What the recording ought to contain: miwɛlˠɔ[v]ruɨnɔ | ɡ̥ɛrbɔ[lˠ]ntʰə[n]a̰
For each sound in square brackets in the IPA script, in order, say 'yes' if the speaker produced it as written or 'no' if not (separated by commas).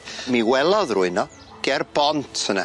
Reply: no, no, yes